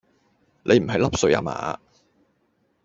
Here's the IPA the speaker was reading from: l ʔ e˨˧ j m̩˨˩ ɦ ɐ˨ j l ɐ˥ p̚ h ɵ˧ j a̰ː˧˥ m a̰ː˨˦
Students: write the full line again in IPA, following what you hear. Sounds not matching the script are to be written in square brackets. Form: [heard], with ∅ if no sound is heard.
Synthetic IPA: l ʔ e˨˧ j m̩˨˩ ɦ ɐ˨ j l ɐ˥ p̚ [s] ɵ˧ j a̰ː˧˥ m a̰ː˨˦